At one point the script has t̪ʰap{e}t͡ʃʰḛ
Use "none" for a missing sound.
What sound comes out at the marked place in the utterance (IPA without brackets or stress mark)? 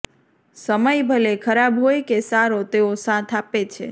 e